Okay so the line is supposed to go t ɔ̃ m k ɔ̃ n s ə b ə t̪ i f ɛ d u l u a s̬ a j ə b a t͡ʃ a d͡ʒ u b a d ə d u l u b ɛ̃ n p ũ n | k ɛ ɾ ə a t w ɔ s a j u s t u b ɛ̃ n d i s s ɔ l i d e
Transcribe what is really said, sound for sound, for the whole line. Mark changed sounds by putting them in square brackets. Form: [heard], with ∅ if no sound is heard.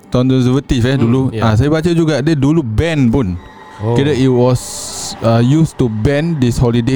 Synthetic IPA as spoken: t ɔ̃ [n] k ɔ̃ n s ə [v] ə t̪ i f ɛ d u l u a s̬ a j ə b a t͡ʃ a d͡ʒ u [ɡ] a d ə d u l u b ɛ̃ n p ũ n | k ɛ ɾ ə [i] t w ɔ s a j u s t u b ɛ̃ n d i s [h] ɔ l i d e